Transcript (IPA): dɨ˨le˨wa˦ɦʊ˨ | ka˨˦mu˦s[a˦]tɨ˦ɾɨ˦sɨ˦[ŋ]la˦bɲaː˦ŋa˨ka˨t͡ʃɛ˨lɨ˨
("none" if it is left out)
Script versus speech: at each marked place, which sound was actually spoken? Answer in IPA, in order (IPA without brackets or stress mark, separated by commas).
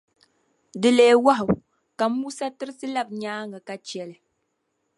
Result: a˦, none